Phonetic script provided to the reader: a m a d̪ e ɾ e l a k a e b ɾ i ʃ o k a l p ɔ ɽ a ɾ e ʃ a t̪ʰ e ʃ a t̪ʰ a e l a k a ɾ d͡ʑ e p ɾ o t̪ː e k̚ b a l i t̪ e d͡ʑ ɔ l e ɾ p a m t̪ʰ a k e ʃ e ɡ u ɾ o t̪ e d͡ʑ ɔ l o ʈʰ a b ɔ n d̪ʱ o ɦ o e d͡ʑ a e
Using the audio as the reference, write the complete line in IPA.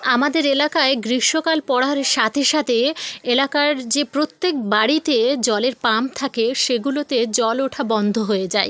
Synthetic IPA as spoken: a m a d̪ e ɾ e l a k a e ɡ ɾ i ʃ o k a l p ɔ ɽ a ɾ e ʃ a t̪ʰ e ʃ a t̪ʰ e e l a k a ɾ d͡ʑ e p ɾ o t̪ː e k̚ b a ɽ i t̪ e d͡ʑ ɔ l e ɾ p a m t̪ʰ a k e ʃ e ɡ u l o t̪ e d͡ʑ ɔ l o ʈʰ a b ɔ n d̪ʱ o ɦ o e d͡ʑ a e